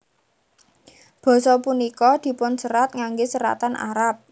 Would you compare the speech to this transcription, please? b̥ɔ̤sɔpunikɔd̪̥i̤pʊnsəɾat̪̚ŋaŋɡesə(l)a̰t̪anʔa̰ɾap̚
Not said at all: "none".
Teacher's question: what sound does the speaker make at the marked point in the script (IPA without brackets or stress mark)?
ɾ